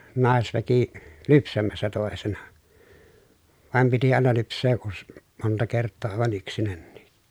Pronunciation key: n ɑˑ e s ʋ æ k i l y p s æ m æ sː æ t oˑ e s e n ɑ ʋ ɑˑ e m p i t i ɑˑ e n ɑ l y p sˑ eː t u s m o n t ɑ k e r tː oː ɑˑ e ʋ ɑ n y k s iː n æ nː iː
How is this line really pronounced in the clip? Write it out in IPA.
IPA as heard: n ɑˑ e s ʋ æ k i l y p s æ m æ sː æ t oˑ e s e n ɑ ʋ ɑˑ e m p i t i ɑˑ e n ɑ l y p sˑ eː ʔ u s m o n t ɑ k e r tː oː ɑˑ e ʋ ɑ n y k s i n æ nː iː